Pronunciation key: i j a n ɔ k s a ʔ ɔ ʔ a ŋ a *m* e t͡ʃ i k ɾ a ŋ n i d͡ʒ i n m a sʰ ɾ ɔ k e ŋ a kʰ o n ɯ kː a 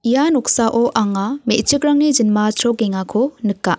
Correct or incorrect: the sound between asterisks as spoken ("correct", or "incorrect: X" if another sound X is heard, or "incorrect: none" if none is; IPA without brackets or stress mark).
correct